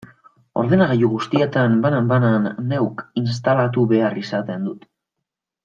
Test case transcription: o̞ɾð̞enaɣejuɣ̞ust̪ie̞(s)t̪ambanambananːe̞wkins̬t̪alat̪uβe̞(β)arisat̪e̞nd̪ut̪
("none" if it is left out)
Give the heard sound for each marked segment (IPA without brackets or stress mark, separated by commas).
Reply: none, none